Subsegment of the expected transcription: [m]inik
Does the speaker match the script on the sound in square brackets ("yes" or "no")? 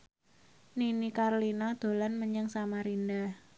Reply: no